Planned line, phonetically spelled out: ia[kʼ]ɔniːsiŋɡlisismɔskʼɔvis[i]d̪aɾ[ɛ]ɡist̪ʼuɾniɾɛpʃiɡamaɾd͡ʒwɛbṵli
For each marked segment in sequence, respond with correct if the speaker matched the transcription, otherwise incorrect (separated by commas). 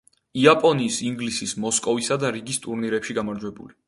incorrect, incorrect, incorrect